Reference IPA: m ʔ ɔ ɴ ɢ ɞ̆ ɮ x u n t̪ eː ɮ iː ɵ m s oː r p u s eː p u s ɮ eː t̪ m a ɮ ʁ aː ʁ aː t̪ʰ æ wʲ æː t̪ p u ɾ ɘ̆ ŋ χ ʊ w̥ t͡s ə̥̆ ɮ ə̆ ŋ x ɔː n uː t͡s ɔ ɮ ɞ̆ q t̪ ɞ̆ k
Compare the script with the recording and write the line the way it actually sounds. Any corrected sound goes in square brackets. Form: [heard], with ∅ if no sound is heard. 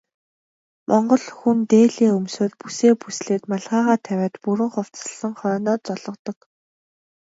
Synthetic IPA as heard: m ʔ ɔ ɴ ɢ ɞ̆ ɮ x u n t̪ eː ɮ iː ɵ m s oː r p u s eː p u s ɮ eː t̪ m a ɮ ʁ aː ʁ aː t̪ʰ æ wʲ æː t̪ p u ɾ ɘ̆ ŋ χ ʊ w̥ t͡s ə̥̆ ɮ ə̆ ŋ [χ] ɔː n [ɔː] t͡s ɔ ɮ ɞ̆ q t̪ ɞ̆ k

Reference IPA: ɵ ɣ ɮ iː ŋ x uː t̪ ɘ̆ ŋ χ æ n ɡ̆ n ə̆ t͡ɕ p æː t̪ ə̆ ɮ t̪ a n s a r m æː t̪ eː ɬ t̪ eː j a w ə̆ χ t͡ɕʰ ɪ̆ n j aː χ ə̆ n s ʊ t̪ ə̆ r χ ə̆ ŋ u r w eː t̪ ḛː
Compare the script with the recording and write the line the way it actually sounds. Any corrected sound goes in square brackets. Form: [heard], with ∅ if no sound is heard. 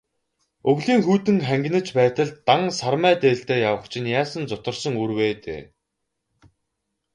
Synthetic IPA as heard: ɵ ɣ ɮ iː ŋ x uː t̪ ɘ̆ ŋ χ æ [ŋ] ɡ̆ n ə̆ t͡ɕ p æː t̪ ə̆ ɮ t̪ a [ŋ] s a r m æː t̪ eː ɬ t̪ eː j a w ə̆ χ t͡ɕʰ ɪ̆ n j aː [s] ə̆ n [t͡s] ʊ t̪ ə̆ r [s] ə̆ ŋ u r w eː t̪ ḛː

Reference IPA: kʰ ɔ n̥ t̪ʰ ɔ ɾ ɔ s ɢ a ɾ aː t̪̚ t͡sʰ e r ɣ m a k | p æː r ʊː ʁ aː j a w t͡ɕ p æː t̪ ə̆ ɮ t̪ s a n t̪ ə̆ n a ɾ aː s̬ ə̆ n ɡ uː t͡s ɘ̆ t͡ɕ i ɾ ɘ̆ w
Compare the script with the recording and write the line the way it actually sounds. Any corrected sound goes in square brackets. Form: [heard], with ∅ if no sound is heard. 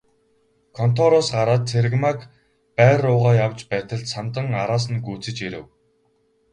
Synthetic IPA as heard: kʰ ɔ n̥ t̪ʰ ɔ ɾ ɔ s ɢ a ɾ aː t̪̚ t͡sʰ e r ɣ m a k | p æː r ʊː ʁ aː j a w t͡ɕ p æː t̪ ə̆ ɮ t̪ s a n t̪ ə̆ [ŋ] a ɾ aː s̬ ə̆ n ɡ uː t͡s ɘ̆ t͡ɕ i ɾ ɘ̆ w

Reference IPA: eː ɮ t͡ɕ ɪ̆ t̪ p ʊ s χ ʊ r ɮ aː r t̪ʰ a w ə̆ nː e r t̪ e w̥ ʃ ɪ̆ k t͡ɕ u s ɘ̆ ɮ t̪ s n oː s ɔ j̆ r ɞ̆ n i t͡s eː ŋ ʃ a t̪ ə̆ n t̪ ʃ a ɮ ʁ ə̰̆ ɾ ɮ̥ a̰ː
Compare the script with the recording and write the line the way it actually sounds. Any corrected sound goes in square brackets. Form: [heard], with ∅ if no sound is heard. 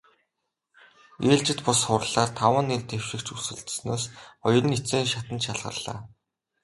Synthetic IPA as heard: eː ɮ t͡ɕ ɪ̆ t̪ p ʊ s χ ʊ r ɮ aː r t̪ʰ a w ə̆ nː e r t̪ e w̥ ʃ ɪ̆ k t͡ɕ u s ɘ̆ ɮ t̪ s n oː s ɔ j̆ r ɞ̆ n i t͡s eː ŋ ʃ a t̪ ə̆ n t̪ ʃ a ɮ ʁ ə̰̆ [r] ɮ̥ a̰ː

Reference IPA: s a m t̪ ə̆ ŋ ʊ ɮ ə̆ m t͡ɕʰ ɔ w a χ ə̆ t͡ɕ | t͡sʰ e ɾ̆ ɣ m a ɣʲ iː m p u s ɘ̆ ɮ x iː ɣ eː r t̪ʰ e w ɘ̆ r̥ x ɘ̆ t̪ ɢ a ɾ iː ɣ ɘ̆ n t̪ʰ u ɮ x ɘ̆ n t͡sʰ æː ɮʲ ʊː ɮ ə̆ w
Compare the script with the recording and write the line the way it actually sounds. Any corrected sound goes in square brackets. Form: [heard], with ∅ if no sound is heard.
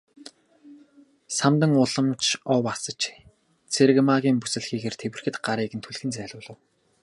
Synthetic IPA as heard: s a m t̪ ə̆ ŋ ʊ ɮ ə̆ m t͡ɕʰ ɔ w a [s] ə̆ t͡ɕ | t͡sʰ e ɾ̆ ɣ m a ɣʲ iː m p u s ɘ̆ ɮ x iː ɣ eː r t̪ʰ e w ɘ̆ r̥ x ɘ̆ t̪ ɢ a ɾ iː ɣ ɘ̆ n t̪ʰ u ɮ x ɘ̆ n [t͡s] æː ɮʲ ʊː ɮ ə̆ w

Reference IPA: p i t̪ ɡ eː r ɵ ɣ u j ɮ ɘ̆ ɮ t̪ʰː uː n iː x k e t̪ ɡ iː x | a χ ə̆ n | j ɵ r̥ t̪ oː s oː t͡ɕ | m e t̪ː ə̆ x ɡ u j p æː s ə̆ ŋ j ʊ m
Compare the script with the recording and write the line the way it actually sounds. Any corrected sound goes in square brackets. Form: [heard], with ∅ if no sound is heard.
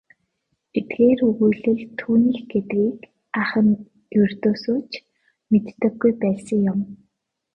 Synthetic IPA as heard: p i t̪ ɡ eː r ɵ ɣ u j ɮ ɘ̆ ɮ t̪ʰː uː n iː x [ɡ] e t̪ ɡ iː [k] | a χ ə̆ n | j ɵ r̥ t̪ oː s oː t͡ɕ | m e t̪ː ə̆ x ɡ u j p æː s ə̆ ŋ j ʊ m

